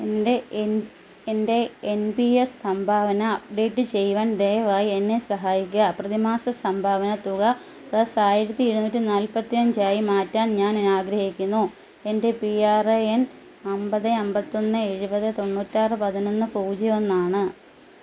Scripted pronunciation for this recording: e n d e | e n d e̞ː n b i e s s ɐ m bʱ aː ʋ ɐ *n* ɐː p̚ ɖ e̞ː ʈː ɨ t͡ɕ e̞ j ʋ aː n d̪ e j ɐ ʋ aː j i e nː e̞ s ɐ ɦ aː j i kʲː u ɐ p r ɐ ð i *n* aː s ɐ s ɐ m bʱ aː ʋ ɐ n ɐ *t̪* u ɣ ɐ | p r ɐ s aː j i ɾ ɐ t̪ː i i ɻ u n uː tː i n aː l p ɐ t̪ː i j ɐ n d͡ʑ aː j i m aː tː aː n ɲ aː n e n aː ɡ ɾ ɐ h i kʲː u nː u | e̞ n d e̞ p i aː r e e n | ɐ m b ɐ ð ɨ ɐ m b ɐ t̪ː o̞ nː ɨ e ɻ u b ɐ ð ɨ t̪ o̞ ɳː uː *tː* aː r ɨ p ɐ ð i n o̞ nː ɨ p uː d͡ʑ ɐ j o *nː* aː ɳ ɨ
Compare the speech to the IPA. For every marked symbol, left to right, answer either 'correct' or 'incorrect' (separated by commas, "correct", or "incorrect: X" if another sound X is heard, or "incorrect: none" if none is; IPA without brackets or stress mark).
correct, incorrect: m, correct, correct, correct